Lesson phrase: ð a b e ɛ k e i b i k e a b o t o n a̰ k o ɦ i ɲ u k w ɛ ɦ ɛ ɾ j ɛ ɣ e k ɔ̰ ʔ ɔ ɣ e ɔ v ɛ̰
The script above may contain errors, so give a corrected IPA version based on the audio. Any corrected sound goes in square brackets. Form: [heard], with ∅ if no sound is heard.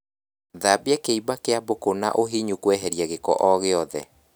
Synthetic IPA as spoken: ð a b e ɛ k e i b [a] k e a b o [k] o n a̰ [ʔ] o ɦ i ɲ u k w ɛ ɦ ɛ ɾ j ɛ ɣ e k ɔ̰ ʔ ɔ ɣ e ɔ [ð] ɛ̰